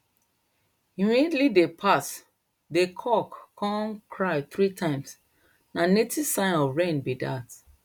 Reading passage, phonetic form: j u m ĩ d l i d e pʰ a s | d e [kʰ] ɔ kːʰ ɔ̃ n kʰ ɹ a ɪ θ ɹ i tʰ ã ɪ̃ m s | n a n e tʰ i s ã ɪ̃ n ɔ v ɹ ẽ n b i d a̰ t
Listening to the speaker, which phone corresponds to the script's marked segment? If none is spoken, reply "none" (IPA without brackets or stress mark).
kʰ